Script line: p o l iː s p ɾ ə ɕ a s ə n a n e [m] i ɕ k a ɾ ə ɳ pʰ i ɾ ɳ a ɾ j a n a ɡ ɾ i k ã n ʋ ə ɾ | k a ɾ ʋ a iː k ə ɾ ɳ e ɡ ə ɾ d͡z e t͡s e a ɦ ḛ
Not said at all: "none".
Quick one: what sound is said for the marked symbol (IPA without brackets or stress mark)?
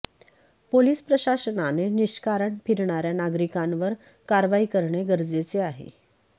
n